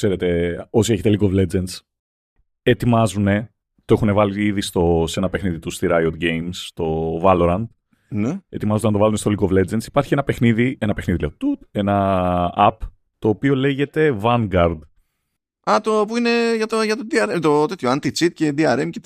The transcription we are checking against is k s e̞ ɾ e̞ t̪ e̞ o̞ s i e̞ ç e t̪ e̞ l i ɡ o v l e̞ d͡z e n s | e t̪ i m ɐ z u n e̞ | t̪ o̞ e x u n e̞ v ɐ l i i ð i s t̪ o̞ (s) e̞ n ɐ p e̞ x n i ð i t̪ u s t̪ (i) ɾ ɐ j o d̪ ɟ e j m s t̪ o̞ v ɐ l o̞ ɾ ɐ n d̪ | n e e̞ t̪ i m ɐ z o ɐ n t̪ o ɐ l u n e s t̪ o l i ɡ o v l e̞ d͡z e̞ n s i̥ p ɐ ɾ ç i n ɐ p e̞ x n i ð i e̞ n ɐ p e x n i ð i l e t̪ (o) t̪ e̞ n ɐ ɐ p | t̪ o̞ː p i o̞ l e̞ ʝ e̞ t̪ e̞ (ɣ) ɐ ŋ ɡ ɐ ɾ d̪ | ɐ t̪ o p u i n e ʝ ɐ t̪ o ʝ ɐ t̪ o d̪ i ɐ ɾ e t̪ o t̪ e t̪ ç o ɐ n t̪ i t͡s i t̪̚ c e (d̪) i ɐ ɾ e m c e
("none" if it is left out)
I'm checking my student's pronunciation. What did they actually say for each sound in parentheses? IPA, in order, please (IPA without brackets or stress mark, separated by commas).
s, i, u, v, d̪